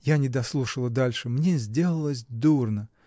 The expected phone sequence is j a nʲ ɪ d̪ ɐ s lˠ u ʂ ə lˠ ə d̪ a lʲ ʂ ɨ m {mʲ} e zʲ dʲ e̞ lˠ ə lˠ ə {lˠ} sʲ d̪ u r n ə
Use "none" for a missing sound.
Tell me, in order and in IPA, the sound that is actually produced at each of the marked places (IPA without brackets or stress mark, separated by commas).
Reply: nʲ, none